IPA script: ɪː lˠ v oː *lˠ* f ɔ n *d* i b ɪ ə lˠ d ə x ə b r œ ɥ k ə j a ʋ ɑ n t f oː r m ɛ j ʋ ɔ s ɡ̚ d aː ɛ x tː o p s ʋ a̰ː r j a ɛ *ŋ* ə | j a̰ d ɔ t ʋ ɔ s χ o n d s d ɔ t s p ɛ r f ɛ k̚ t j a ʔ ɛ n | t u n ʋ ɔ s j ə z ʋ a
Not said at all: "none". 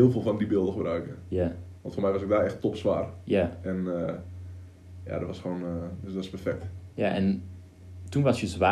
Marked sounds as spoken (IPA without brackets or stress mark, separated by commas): lˠ, d, n